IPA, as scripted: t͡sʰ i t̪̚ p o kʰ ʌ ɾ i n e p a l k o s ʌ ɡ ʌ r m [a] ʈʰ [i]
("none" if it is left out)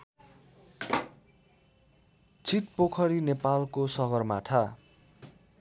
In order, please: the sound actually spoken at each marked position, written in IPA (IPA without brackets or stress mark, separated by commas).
a, a